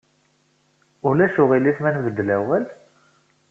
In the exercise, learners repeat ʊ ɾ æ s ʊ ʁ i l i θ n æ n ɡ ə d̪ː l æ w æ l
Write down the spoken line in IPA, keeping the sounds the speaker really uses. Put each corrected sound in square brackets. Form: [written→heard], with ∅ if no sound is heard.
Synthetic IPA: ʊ [ɾ→l] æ [s→ʃ] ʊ ʁ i l i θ [n→m] æ n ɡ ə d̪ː l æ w æ l